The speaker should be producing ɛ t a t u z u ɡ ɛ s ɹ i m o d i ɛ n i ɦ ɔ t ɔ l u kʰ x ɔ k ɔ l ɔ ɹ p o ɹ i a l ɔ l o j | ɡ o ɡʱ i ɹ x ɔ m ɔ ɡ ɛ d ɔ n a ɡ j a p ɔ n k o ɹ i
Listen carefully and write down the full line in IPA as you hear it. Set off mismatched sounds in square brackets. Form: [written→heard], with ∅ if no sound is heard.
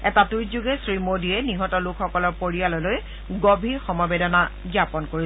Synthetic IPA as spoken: ɛ t a t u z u ɡ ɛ s ɹ i m o d i ɛ n i ɦ ɔ t ɔ l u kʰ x ɔ k ɔ l ɔ ɹ p o ɹ i a l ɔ l o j | ɡ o [ɡʱ→bʱ] i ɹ x ɔ m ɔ [ɡ→b] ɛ d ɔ n a ɡ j a p ɔ n k o ɹ i